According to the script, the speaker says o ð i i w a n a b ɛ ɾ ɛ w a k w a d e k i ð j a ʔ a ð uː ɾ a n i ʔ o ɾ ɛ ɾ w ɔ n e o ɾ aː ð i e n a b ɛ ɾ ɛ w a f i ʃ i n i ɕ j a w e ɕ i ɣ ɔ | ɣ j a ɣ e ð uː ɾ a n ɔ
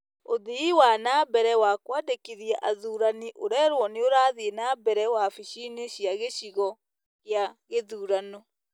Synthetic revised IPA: o ð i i w a n a b ɛ ɾ ɛ w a k w a d e k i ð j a ʔ a ð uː ɾ a n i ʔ o ɾ ɛ ɾ w ɔ n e o ɾ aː ð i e n a b ɛ ɾ ɛ w a f i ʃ i n e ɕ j a ɣ e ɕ i ɣ ɔ | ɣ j a ɣ e ð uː ɾ a n ɔ